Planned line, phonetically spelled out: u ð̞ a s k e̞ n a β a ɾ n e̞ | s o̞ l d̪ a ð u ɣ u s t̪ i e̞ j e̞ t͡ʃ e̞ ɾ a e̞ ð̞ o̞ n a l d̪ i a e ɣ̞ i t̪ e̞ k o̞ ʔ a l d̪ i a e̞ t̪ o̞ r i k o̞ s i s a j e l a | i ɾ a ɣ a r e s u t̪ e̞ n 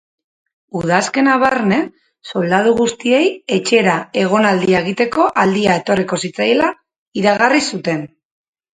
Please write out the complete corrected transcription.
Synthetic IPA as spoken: u ð̞ a s k e̞ n a β a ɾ n e̞ | s o̞ l d̪ a ð u ɣ u s t̪ i e̞ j e̞ t͡ʃ e̞ ɾ a e̞ ɣ̞ o̞ n a l d̪ i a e ɣ̞ i t̪ e̞ k o̞ ʔ a l d̪ i a e̞ t̪ o̞ r i k o̞ s i t͡s a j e l a | i ɾ a ɣ a r i s u t̪ e̞ n

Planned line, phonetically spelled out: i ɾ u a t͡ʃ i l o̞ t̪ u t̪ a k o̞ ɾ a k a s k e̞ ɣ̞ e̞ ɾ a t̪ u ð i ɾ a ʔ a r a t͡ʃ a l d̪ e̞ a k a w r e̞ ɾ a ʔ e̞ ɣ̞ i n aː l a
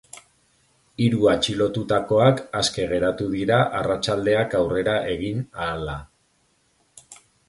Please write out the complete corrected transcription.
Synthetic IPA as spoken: i ɾ u a t͡ʃ i l o̞ t̪ u t̪ a k o̞ a k a s k e̞ ɣ̞ e̞ ɾ a t̪ u ð i ɾ a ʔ a r a t͡ʃ a l d̪ e̞ a k a w r e̞ ɾ a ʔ e̞ ɣ̞ i n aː l a

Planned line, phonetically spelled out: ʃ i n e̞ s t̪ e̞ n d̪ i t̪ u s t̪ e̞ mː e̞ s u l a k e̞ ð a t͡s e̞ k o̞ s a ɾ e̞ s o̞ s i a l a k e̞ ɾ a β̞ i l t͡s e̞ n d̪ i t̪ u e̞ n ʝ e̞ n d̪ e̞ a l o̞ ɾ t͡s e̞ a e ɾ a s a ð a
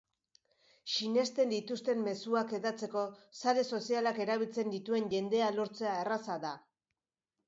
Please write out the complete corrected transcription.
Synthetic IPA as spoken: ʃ i n e̞ s t̪ e̞ n d̪ i t̪ u s t̪ e̞ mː e̞ s u a k e̞ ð a t͡s e̞ k o̞ s a ɾ e̞ s o̞ s i a l a k e̞ ɾ a β̞ i l t͡s e̞ n d̪ i t̪ u e̞ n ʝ e̞ n d̪ e̞ a l o̞ ɾ t͡s e̞ a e r a s a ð a

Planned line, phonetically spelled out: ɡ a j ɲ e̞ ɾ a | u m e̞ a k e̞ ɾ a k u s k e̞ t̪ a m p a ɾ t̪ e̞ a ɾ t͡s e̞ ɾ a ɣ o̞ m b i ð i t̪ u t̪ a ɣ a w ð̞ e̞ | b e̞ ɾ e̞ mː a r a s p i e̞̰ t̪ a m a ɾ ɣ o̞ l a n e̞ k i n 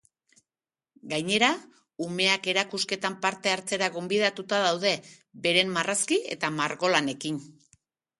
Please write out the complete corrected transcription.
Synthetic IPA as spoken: ɡ a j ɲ e̞ ɾ a | u m e̞ a k e̞ ɾ a k u s k e̞ t̪ a m p a ɾ t̪ e̞ a ɾ t͡s e̞ ɾ a ɣ o̞ m b i ð a t̪ u t̪ a ð a w ð̞ e̞ | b e̞ ɾ e̞ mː a r a s k i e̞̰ t̪ a m a ɾ ɣ o̞ l a n e̞ k i n

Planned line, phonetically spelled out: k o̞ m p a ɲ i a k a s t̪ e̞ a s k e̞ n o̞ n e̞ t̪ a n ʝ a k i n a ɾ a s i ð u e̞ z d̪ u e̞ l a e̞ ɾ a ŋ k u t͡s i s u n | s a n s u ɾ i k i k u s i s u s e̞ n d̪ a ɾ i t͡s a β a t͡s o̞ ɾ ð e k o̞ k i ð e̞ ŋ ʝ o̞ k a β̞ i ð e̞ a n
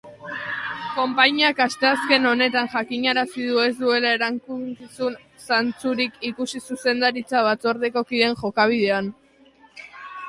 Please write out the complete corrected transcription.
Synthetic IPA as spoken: k o̞ m p a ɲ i a k a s t̪ e̞ a s k e̞ n o̞ n e̞ t̪ a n ʝ a k i ɲ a ɾ a s i ð u e̞ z d̪ u e̞ l a e̞ ɾ a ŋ k u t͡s i s u n | s a n t͡s u ɾ i k i k u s i s u s e̞ n d̪ a ɾ i t͡s a β a t͡s o̞ ɾ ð e k o̞ k i ð e̞ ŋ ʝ o̞ k a β̞ i ð e̞ a n

